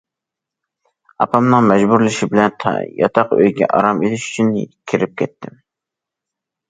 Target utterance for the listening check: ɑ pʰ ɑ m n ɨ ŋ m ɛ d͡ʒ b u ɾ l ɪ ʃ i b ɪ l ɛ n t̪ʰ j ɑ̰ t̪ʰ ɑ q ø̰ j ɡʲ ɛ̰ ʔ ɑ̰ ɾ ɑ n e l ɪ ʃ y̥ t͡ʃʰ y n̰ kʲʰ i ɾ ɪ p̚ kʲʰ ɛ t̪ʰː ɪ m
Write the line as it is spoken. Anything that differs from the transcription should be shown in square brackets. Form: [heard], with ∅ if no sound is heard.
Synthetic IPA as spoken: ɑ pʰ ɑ m n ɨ ŋ m ɛ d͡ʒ b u ɾ l ɪ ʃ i b ɪ l ɛ n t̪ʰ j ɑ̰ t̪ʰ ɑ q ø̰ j ɡʲ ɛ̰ ʔ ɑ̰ ɾ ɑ [m] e l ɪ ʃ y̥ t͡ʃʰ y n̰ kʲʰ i ɾ ɪ p̚ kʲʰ ɛ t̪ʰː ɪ m